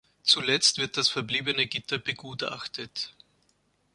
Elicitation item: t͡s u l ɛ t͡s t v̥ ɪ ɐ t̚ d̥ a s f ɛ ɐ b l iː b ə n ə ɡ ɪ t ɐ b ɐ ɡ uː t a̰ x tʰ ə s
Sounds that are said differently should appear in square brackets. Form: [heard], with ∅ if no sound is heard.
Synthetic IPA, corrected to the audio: t͡s u l ɛ t͡s t v̥ ɪ ɐ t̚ d̥ a s f ɛ ɐ b l iː b ə n ə ɡ ɪ t ɐ b [ə] ɡ uː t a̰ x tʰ ə [t]